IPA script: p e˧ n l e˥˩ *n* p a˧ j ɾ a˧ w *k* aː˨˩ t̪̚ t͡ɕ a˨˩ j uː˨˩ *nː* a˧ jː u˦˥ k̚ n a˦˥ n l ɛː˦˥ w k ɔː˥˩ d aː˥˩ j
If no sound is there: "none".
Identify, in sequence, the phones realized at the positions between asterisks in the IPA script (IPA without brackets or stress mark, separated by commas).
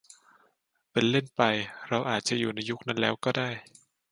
n, ʔ, n